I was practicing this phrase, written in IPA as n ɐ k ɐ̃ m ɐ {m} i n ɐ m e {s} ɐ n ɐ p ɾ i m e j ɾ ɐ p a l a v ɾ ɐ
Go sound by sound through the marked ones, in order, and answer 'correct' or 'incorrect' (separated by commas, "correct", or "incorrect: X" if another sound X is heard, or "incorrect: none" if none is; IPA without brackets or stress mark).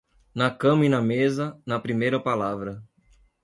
incorrect: none, incorrect: z